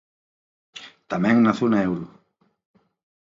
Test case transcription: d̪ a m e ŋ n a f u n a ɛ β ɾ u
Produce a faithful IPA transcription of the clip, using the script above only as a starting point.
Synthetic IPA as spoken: t̪ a m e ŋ n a θ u n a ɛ w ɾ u